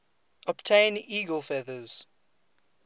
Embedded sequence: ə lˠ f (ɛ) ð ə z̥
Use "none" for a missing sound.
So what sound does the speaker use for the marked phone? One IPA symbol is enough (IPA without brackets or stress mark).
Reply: ɛ